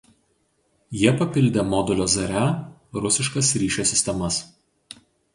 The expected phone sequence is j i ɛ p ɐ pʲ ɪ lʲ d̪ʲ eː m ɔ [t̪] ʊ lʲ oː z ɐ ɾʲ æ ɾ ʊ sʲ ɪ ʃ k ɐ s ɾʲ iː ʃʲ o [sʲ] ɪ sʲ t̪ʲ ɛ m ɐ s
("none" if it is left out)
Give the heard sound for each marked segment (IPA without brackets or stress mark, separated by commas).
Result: d̪, sʲ